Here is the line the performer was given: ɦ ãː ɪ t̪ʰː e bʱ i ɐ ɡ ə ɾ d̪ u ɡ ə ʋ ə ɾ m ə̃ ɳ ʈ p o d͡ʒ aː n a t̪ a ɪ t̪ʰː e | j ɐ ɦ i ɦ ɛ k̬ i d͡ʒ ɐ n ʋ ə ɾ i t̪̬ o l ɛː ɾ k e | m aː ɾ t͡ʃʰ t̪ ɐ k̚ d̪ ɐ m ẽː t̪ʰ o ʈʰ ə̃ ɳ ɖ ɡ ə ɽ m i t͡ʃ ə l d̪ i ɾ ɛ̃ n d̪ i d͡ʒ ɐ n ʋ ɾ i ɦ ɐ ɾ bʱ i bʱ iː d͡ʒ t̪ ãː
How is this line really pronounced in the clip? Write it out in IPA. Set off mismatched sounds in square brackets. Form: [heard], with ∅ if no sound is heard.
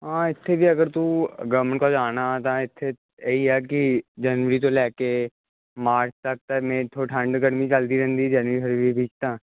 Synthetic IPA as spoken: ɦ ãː ɪ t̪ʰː e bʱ i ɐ ɡ ə ɾ [t̪] u ɡ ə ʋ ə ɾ m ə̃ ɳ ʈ [k] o d͡ʒ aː n a t̪ a ɪ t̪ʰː e | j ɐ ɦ i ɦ ɛ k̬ i d͡ʒ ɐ n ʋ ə ɾ i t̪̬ o l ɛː [∅] k e | m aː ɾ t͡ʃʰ t̪ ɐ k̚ [t̪] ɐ m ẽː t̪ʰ o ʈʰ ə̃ ɳ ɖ ɡ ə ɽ m i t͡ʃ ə l d̪ i ɾ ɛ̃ n d̪ i d͡ʒ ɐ n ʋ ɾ i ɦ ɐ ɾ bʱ i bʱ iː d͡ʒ t̪ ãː